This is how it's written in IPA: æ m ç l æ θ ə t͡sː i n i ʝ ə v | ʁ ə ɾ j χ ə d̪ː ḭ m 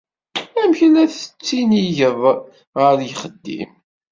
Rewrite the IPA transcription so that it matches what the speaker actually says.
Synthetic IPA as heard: æ m ç l æ θ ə t͡sː i n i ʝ ə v | ʁ ə ɾ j χ ə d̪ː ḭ m